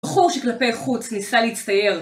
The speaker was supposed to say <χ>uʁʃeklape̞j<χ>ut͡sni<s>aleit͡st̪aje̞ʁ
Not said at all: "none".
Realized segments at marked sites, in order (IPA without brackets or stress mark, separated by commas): χ, χ, s